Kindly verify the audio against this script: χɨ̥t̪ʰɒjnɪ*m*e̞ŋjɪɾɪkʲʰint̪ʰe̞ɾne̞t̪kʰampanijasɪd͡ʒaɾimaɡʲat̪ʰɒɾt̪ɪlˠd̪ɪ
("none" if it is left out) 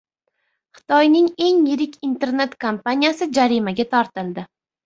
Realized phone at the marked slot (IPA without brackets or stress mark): ŋ